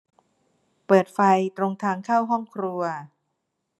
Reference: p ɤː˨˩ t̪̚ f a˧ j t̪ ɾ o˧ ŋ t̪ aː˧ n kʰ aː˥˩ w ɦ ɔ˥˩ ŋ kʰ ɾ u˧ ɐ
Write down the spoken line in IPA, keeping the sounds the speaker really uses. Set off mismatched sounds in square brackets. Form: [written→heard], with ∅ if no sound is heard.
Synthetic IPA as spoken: p ɤː˨˩ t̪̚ f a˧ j t̪ ɾ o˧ ŋ [t̪→t̪ʰ] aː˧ [n→ŋ] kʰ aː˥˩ w ɦ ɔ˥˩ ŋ kʰ ɾ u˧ ɐ